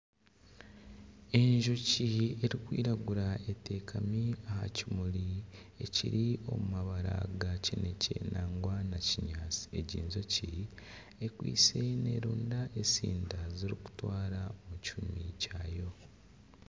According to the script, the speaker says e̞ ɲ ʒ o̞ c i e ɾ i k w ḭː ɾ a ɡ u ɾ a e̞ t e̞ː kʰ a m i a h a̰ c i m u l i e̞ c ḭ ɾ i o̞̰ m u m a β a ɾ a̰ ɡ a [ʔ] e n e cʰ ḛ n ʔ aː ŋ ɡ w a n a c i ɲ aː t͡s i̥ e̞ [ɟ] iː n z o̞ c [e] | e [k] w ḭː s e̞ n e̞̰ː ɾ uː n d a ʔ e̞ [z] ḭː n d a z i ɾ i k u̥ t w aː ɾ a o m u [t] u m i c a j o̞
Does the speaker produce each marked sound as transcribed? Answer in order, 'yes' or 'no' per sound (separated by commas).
no, yes, no, yes, no, no